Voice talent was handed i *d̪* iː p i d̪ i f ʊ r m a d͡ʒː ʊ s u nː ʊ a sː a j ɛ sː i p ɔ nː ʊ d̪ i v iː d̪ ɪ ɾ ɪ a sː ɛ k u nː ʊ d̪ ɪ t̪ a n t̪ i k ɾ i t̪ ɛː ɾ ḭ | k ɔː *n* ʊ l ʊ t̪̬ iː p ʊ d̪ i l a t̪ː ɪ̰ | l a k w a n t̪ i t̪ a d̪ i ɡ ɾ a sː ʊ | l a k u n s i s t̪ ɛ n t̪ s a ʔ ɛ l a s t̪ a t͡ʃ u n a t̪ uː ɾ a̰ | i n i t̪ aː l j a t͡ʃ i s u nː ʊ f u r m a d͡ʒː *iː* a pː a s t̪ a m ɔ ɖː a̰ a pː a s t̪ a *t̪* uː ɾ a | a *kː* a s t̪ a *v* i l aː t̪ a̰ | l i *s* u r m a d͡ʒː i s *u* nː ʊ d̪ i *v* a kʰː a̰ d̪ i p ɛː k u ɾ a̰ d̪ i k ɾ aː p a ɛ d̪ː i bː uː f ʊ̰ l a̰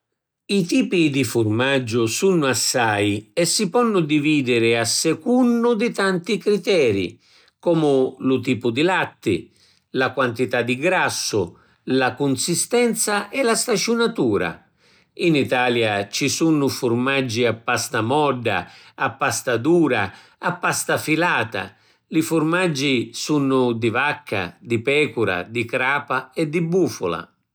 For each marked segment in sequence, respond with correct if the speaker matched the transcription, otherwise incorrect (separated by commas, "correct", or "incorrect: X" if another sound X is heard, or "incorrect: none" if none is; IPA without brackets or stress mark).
incorrect: t̪, incorrect: m, incorrect: i, incorrect: d̪, incorrect: pː, incorrect: f, incorrect: f, correct, correct